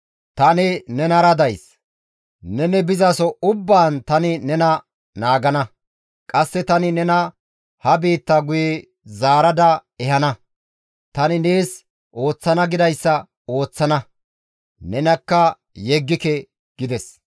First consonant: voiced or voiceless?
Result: voiceless